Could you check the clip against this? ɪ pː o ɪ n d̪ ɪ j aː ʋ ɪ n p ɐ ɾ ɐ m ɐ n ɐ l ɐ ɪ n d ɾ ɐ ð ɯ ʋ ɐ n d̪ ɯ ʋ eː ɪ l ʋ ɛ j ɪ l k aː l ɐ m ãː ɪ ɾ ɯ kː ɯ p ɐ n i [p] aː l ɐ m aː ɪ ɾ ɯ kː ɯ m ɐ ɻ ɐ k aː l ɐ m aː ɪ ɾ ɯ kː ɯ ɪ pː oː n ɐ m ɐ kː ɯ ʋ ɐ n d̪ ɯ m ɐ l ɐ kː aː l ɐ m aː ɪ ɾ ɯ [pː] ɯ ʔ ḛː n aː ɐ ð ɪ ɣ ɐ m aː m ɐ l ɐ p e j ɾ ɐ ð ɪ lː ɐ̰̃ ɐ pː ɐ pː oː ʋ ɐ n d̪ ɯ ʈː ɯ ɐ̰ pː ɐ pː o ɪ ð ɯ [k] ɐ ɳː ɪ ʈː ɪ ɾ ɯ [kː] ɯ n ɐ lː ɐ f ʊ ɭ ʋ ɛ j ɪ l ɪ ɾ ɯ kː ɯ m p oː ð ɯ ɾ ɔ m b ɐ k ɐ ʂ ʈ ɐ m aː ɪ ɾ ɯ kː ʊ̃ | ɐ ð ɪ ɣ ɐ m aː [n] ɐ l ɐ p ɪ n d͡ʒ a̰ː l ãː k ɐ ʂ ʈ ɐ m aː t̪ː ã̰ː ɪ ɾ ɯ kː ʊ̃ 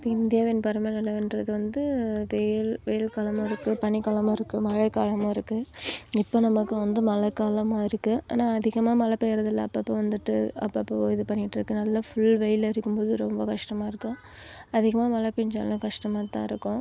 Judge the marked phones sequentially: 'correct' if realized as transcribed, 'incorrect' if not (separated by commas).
incorrect, incorrect, incorrect, correct, incorrect